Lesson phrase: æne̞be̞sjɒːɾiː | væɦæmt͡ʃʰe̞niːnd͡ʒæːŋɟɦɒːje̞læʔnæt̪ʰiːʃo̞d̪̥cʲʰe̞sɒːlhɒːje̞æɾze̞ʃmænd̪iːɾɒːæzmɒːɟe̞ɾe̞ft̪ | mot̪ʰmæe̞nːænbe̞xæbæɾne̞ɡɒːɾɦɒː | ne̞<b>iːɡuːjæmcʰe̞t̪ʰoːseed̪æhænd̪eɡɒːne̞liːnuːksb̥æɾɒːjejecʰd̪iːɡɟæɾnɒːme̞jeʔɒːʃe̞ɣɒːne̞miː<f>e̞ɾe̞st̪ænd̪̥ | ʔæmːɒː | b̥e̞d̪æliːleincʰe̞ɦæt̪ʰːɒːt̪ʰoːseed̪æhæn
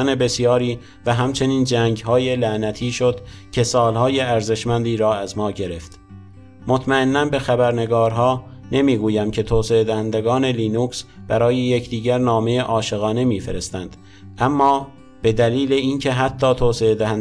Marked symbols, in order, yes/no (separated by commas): no, yes